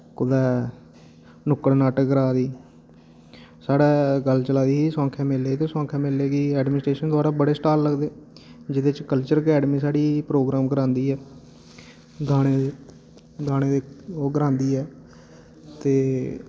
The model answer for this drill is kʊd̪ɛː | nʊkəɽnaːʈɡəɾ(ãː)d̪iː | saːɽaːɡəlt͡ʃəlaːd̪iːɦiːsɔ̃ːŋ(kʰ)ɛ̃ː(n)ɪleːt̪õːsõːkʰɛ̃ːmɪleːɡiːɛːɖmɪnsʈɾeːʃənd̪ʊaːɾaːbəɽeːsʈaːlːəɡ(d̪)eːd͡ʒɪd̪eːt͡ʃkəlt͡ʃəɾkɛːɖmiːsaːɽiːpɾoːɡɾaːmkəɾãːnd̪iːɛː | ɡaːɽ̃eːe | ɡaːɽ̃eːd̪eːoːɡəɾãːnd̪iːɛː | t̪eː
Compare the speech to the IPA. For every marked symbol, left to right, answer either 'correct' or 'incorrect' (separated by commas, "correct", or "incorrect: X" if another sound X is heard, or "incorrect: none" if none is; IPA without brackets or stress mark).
incorrect: aː, correct, incorrect: m, correct